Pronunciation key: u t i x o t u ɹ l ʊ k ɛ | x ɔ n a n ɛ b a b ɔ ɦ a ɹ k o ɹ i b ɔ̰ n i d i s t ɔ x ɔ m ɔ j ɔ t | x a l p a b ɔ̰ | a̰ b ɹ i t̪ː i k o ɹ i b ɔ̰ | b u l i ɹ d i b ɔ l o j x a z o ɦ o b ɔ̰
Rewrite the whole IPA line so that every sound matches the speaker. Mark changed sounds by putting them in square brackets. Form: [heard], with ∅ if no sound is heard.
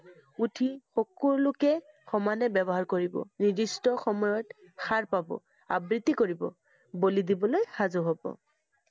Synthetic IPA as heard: u [tʰ] i x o [k] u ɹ l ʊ k ɛ | x ɔ [m] a n ɛ b [ɛ] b ɔ ɦ a ɹ k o ɹ i b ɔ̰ n i d i s t ɔ x ɔ m ɔ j ɔ t | x a [ɹ] p a b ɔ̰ | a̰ b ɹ i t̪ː i k o ɹ i b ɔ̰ | b [o] l i [∅] d i b ɔ l o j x a z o ɦ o b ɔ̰